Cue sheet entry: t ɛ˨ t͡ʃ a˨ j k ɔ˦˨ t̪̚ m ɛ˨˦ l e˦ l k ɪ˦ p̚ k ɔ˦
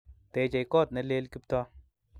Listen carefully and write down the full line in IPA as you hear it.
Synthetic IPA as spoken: t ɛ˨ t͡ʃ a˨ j k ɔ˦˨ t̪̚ n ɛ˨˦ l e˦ l k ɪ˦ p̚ t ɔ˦